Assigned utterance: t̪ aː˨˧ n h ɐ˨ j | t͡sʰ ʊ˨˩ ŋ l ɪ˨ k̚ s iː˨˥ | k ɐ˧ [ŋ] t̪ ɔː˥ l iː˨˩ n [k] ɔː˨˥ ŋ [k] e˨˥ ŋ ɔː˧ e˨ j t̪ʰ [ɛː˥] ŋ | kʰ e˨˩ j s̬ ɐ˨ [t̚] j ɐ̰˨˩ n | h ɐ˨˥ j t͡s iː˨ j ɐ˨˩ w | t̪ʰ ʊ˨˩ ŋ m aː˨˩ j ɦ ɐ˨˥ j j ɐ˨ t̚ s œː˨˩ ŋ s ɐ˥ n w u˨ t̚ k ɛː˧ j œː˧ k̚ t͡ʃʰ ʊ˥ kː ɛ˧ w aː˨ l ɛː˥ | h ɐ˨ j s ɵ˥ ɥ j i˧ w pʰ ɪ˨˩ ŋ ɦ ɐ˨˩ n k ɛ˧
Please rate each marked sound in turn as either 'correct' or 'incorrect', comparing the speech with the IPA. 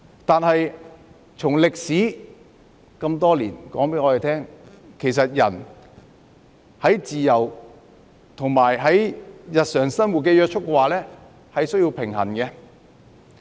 incorrect: m, correct, incorrect: p, correct, correct

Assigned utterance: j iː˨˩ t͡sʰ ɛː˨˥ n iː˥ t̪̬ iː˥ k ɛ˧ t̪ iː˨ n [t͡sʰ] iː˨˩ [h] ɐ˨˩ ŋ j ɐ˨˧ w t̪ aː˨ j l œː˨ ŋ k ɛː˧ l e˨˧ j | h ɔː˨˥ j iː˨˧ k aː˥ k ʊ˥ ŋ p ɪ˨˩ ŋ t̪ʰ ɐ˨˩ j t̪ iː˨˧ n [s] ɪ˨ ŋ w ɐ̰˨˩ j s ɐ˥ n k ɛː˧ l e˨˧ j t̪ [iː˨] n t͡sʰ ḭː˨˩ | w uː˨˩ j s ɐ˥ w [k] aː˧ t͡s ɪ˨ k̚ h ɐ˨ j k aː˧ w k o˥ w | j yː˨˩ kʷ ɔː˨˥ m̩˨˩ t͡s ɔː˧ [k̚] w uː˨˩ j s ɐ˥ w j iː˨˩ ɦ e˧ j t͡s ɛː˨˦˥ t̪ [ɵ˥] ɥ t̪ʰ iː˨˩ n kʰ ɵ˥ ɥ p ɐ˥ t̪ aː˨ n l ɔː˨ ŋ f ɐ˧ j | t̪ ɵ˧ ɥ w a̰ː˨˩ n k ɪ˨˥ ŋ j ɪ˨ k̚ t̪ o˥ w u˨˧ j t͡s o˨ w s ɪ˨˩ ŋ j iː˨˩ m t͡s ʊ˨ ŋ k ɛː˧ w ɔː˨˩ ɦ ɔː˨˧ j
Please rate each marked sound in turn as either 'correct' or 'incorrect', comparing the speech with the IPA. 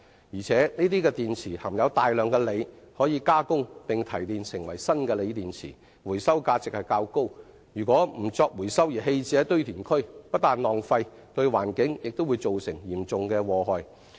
correct, correct, correct, correct, correct, correct, correct

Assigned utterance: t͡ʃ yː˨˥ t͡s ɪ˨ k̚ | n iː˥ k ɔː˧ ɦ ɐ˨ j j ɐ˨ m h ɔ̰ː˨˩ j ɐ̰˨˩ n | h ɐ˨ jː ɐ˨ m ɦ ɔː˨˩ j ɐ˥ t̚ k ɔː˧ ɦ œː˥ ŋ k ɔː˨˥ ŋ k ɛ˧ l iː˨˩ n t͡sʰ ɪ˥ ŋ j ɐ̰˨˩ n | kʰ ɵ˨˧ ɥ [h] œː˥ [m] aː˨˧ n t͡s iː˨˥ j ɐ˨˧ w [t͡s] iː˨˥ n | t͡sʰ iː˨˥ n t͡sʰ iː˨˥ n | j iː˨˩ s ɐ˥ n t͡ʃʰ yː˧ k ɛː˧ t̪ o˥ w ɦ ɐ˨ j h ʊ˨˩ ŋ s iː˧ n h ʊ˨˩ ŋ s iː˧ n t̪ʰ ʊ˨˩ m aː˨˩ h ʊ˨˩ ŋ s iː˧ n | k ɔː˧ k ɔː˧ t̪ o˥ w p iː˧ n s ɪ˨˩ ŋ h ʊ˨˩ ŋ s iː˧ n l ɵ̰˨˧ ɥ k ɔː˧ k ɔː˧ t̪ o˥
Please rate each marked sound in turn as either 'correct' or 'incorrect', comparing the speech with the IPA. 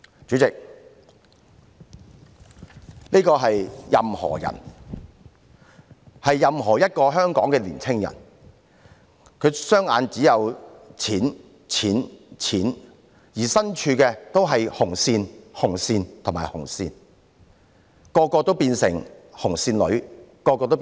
incorrect: s, incorrect: ŋ, incorrect: t͡sʰ

